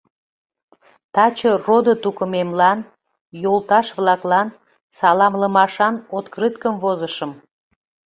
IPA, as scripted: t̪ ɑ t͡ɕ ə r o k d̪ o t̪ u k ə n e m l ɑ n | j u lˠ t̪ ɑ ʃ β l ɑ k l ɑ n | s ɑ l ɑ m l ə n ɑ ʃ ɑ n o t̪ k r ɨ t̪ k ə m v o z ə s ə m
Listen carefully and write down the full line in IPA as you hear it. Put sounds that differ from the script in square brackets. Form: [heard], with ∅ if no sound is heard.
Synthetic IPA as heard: t̪ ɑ t͡ɕ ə r o [∅] d̪ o t̪ u k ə [m] e m l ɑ n | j [o] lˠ t̪ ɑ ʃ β l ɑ k l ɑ n | s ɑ l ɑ m l ə [m] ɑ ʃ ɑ n o t̪ k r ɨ t̪ k ə m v o z ə [ʃ] ə m